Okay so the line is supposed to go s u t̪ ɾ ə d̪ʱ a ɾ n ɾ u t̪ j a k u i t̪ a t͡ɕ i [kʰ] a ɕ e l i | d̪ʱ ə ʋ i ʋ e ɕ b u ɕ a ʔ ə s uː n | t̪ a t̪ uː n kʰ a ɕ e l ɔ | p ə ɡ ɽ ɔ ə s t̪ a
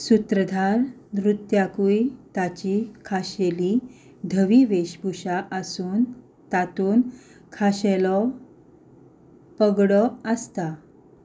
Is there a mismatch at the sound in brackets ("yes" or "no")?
no